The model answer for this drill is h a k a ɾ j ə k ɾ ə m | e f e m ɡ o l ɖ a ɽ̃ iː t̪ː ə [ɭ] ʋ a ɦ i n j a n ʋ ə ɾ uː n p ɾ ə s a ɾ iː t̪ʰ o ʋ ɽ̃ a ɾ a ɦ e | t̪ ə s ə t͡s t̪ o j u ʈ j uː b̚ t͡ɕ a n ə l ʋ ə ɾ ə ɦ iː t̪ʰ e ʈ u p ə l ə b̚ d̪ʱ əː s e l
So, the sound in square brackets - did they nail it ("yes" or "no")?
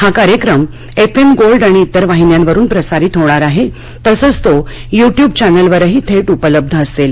no